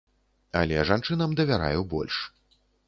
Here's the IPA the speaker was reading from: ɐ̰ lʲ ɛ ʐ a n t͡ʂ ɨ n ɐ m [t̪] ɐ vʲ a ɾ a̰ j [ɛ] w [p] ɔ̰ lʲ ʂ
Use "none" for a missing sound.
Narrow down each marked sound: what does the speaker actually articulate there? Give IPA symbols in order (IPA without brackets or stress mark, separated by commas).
d̪, ɛ, b